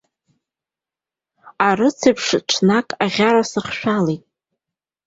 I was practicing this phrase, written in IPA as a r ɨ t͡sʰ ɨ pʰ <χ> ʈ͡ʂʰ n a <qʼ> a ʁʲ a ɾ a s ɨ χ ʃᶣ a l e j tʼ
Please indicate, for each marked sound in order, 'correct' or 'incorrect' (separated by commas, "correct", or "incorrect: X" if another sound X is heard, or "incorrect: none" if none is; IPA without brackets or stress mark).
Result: incorrect: ʂ, incorrect: kʼ